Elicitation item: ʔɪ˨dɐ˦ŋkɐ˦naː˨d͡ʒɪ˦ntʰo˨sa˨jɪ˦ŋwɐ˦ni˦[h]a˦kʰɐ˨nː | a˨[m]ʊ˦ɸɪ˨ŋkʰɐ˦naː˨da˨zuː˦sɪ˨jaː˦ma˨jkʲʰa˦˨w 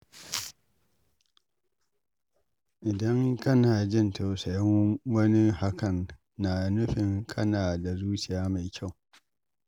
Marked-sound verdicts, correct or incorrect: correct, incorrect

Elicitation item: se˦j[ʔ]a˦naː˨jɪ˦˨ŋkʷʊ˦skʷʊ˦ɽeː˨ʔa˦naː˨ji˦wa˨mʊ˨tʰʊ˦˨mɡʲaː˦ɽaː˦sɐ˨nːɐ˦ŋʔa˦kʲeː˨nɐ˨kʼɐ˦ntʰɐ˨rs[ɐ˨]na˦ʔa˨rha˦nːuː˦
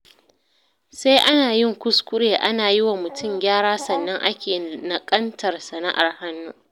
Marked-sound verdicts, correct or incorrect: correct, correct

